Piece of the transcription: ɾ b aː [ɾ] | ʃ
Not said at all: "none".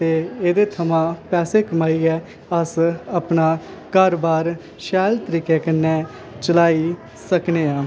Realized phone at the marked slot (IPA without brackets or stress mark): ɾ